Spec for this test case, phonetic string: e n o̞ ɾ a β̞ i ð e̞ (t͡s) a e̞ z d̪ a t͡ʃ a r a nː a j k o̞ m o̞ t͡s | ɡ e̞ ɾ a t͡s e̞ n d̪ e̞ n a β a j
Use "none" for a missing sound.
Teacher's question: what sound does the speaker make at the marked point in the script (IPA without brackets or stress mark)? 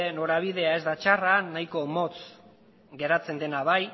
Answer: none